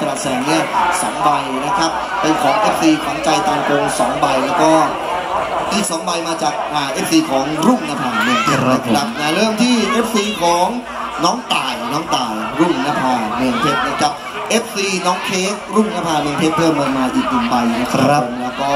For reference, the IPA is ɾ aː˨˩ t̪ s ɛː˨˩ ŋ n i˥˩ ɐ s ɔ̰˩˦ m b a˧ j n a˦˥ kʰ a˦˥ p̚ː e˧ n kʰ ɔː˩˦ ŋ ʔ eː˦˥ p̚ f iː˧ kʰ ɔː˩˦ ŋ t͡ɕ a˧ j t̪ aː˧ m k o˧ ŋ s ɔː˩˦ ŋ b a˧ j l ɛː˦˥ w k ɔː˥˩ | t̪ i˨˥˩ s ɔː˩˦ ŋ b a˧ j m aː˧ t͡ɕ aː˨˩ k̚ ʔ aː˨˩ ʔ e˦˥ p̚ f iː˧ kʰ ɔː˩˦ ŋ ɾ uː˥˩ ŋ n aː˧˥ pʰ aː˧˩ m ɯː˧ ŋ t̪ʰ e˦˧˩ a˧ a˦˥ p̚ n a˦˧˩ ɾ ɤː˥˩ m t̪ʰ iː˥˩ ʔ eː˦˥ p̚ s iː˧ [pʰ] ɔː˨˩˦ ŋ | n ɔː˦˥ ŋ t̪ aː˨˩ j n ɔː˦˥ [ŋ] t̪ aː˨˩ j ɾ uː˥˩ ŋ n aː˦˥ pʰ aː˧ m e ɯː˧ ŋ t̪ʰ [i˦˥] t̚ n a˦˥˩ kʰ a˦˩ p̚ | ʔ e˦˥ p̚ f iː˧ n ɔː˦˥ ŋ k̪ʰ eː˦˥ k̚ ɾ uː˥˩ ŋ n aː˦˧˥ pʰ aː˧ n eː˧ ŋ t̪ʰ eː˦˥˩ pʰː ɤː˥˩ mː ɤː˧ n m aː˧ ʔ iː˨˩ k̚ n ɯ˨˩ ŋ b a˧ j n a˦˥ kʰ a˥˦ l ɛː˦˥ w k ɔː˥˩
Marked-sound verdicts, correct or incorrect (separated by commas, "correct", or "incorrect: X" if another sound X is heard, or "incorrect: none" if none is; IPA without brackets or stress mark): incorrect: kʰ, correct, incorrect: e˦˥